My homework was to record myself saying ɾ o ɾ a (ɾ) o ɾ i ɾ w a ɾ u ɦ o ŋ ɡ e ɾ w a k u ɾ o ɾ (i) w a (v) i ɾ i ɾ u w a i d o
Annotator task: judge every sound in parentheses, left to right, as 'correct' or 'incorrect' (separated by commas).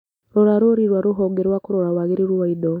correct, incorrect, incorrect